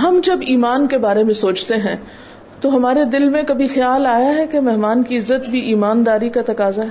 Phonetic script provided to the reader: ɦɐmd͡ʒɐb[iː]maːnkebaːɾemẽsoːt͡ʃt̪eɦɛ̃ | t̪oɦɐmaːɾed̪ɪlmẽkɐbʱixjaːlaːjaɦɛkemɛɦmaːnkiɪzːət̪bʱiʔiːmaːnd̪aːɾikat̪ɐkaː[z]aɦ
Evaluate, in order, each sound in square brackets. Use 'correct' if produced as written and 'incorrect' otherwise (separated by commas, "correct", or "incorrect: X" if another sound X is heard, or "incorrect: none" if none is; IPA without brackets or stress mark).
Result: correct, correct